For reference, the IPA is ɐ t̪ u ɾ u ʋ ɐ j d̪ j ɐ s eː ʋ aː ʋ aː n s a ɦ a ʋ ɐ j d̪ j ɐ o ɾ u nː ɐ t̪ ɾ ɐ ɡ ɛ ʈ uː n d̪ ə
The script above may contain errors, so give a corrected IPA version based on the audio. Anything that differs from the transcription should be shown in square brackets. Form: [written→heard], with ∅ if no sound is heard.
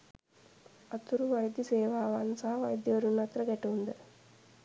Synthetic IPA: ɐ t̪ u ɾ u ʋ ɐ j d̪ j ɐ s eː ʋ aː ʋ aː n s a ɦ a ʋ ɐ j d̪ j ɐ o ɾ u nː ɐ t̪ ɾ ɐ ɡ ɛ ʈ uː n d̪ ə